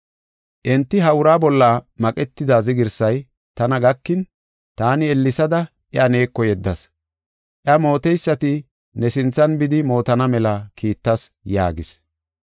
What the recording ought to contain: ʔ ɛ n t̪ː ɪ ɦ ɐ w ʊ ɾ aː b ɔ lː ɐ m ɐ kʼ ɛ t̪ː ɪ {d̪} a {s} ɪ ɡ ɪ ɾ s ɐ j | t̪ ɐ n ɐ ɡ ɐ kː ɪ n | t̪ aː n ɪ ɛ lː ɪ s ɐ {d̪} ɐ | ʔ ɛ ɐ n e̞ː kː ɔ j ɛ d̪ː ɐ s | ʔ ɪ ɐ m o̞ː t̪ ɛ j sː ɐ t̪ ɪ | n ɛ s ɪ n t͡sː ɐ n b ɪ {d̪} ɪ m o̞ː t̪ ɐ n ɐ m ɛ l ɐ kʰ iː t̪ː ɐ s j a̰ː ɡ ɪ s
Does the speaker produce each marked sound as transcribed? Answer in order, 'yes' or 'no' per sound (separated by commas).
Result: yes, no, yes, yes